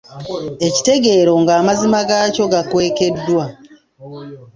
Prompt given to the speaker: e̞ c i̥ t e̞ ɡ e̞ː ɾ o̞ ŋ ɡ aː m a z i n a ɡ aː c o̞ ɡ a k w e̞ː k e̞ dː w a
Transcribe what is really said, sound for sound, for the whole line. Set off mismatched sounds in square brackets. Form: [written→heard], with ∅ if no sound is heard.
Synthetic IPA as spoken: e̞ c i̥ t e̞ ɡ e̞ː ɾ o̞ ŋ ɡ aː m a z i [n→m] a ɡ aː c o̞ ɡ a k w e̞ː k e̞ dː w a